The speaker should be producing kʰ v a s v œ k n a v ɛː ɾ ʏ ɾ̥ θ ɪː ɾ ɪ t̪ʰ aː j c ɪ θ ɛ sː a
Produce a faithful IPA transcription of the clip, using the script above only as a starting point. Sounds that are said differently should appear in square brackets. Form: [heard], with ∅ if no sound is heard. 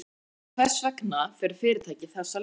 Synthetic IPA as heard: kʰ v [ɛ] s v [ɛ] k n a [f] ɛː ɾ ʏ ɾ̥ [f] ɪː ɾ ɪ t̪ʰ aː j c ɪ θ ɛ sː a